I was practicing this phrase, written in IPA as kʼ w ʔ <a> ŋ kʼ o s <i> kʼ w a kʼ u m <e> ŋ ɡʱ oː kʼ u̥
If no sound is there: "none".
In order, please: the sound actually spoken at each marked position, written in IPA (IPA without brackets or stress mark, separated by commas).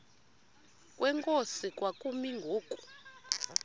ɛ, i, i